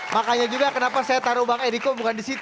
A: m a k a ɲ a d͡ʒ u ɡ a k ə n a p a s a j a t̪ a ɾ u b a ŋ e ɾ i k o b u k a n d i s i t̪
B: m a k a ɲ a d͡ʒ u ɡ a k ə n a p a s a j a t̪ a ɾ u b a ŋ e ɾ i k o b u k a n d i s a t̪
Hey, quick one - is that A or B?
A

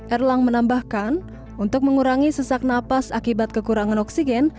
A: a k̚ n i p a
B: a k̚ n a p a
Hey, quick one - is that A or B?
B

